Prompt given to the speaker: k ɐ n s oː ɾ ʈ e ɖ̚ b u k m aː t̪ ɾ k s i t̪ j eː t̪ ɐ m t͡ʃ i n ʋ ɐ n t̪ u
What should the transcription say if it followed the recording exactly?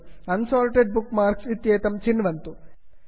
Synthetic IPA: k ɐ n s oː l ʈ e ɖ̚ b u k m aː ɾ k s i t̪ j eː t̪ ɐ m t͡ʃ i n ʋ ɐ n t̪ u